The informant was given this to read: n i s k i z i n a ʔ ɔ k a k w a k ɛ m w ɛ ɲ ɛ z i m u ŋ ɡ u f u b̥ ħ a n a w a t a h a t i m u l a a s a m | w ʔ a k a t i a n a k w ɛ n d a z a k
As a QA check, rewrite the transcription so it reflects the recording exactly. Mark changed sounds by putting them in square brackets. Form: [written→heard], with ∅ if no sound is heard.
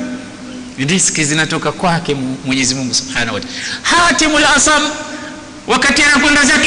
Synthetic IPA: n i s k i z i n a [ʔ→t] ɔ k a k w a k ɛ m w ɛ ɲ ɛ z i m u ŋ ɡ u [f→s] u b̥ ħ a n a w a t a h a t i m u l a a s a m | w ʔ a k a t i a n a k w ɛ n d a z a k